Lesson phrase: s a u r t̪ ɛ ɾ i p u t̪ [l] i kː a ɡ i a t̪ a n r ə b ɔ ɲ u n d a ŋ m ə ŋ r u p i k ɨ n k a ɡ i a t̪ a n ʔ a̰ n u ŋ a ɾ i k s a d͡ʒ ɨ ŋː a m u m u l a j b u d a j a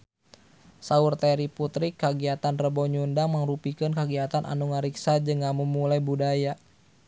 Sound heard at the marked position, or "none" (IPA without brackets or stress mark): ɾ